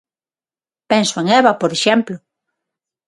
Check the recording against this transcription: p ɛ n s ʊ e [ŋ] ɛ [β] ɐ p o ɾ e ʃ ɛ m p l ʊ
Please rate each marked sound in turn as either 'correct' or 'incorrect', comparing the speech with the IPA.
correct, correct

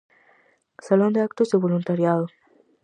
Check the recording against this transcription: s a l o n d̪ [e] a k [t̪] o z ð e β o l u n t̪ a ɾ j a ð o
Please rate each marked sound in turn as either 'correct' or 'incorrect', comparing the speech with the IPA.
correct, correct

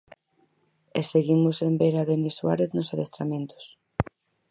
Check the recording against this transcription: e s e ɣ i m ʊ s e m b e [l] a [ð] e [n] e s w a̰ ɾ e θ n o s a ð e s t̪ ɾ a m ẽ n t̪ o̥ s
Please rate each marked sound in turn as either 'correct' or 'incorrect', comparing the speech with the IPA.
incorrect, correct, correct

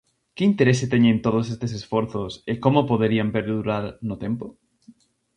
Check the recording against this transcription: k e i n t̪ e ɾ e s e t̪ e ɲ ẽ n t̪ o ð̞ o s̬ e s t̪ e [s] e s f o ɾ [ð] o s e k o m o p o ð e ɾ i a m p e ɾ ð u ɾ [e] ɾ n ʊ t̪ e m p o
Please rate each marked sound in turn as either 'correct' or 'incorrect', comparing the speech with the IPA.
correct, incorrect, incorrect

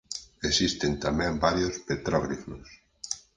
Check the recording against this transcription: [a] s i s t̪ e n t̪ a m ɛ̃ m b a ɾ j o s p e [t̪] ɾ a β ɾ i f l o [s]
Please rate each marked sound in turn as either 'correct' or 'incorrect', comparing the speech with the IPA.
incorrect, correct, correct

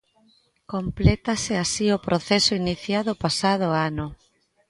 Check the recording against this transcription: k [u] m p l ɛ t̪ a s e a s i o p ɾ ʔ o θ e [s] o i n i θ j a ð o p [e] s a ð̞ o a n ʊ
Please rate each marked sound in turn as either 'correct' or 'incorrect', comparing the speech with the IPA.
incorrect, correct, incorrect

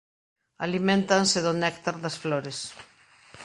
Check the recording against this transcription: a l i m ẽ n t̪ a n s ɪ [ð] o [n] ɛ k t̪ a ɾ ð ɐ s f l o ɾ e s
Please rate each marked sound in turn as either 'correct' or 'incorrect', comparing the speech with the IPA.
correct, correct

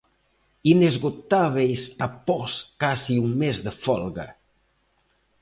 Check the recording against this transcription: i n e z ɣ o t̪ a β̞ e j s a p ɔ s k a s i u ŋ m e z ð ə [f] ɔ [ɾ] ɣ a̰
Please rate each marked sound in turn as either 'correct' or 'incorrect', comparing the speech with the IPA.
correct, incorrect

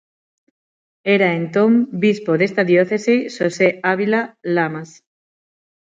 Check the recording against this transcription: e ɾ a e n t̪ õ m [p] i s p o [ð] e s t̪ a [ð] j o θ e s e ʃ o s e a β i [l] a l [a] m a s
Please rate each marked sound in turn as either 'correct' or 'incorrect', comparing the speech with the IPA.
incorrect, correct, correct, correct, correct

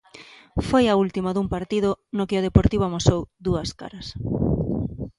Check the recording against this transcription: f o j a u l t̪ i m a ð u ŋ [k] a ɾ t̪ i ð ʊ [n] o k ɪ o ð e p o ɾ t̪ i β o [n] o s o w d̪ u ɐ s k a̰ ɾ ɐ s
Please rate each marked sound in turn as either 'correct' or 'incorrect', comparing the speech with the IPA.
incorrect, correct, incorrect

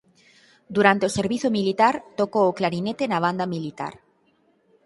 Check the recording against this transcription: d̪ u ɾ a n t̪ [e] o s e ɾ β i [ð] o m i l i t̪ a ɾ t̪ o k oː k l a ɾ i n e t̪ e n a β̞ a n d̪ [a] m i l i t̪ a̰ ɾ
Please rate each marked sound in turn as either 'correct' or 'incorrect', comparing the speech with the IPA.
correct, incorrect, correct

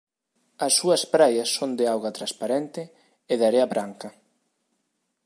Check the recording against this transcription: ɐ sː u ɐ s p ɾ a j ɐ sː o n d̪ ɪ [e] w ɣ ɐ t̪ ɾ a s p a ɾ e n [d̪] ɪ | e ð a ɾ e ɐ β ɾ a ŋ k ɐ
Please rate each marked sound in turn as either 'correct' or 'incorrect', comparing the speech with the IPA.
incorrect, incorrect

